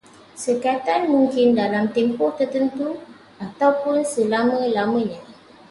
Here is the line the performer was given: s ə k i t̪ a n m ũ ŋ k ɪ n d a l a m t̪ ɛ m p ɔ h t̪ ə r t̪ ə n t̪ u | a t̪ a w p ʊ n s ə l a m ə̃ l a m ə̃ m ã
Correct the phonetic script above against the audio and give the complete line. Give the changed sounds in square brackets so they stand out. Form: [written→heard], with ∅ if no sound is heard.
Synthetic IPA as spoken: s ə k [i→a] t̪ a n m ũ ŋ k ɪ n d a l a m t̪ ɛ m p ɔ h t̪ ə r t̪ ə n t̪ u | a t̪ a w p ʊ n s ə l a m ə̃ l a m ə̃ [m→ɲ] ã